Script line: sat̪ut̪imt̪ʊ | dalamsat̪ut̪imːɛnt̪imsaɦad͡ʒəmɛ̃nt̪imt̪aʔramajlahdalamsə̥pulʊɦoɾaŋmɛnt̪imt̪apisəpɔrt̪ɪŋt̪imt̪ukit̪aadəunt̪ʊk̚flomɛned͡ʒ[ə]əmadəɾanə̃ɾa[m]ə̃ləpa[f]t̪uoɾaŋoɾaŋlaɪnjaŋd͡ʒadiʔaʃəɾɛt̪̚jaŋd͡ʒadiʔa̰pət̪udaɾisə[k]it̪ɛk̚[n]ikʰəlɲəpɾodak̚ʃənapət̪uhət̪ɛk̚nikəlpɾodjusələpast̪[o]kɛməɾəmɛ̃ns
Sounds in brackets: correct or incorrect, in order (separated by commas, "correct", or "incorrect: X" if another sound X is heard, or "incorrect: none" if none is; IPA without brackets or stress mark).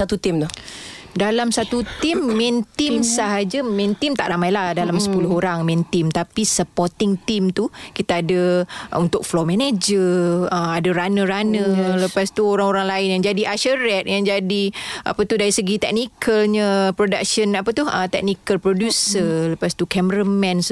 correct, incorrect: n, incorrect: s, incorrect: ɡ, correct, incorrect: u